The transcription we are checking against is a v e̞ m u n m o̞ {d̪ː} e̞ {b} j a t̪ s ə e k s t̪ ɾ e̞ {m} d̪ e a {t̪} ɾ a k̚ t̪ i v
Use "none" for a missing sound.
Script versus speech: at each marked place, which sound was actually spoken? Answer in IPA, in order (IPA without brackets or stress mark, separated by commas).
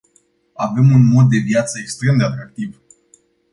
d̪ː, v, m, t̪